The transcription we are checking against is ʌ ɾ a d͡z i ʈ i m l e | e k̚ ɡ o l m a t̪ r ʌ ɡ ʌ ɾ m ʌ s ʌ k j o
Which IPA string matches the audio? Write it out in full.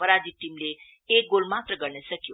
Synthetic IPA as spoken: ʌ ɾ a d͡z i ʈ i m l e | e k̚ ɡ o l m a t̪ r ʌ ɡ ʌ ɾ n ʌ s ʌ k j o